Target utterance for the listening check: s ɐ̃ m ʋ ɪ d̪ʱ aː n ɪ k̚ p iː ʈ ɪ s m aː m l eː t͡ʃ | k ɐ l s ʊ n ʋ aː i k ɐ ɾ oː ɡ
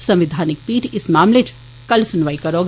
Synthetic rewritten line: s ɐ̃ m ʋ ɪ d̪ʱ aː n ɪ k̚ p iː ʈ ɪ s m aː m l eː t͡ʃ | k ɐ l s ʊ n ʋ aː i k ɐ ɾ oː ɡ